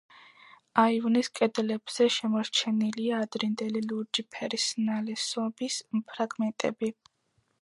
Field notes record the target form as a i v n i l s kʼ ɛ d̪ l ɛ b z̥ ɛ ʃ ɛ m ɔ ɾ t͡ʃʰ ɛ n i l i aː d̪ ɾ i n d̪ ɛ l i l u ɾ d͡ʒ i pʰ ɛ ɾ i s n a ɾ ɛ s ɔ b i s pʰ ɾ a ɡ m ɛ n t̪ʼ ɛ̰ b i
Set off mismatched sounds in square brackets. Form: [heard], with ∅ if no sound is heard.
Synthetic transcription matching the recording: a i v n i [∅] s kʼ ɛ d̪ l ɛ b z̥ ɛ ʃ ɛ m ɔ ɾ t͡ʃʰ ɛ n i l i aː d̪ ɾ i n d̪ ɛ l i l u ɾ d͡ʒ i pʰ ɛ ɾ i s n a [l] ɛ s ɔ b i s pʰ ɾ a ɡ m ɛ n t̪ʼ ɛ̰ b i